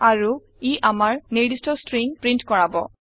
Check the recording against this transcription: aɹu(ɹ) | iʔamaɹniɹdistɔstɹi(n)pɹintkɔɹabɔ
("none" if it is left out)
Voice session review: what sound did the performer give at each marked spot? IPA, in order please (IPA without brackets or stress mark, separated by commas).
none, ŋ